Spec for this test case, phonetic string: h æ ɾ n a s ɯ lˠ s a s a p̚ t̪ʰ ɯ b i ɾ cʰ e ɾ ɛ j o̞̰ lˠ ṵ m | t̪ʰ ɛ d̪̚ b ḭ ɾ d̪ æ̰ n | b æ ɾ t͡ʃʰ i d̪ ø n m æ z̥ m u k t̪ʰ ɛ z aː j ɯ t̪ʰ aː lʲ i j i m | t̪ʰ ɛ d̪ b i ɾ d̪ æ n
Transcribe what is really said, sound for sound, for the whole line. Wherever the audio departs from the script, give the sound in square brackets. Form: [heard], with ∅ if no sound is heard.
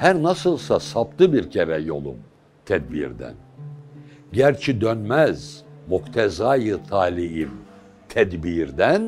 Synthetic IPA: h æ ɾ n a s ɯ lˠ s a s a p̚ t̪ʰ ɯ b i ɾ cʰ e ɾ ɛ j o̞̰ lˠ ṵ m | t̪ʰ ɛ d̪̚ b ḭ ɾ d̪ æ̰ n | [ɟ] æ ɾ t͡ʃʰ i d̪ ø n m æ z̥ m u k t̪ʰ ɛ z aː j ɯ t̪ʰ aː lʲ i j i m | t̪ʰ ɛ d̪ b i ɾ d̪ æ n